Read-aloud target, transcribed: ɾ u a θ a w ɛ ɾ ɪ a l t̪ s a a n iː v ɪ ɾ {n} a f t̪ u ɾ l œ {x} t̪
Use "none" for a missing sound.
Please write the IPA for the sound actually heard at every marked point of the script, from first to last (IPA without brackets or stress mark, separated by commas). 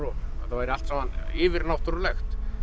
n, x